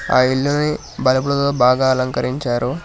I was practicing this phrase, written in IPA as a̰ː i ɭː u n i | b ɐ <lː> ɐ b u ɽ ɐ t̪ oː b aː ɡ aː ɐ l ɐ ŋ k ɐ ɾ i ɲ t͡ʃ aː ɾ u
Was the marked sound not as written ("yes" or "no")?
yes